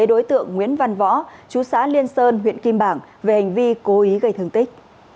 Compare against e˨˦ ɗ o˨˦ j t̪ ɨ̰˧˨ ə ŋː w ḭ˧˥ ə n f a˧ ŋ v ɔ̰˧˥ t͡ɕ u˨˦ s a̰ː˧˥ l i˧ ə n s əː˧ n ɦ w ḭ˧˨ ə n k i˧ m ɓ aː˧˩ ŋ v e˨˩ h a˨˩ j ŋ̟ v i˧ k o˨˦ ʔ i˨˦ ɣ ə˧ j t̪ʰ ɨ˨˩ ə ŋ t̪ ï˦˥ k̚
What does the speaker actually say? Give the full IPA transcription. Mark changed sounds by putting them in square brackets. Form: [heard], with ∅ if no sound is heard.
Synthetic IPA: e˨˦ ɗ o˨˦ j t̪ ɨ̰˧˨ ə ŋː w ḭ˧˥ ə n [v] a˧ [n] v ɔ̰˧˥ t͡ɕ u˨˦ s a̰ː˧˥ l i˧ ə n s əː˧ n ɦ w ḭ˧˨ ə n k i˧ m ɓ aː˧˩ ŋ v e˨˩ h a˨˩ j ŋ̟ v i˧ k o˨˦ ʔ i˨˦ ɣ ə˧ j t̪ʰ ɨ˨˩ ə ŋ t̪ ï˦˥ k̚